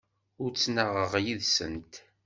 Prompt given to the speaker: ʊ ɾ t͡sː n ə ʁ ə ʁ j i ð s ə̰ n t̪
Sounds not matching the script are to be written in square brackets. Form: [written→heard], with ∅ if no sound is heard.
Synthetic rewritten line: ʊ ɾ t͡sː n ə ʁ ə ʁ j i ð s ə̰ n t̪